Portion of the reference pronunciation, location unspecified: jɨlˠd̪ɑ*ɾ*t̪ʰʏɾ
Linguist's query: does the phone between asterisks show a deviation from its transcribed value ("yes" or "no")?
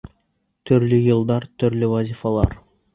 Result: no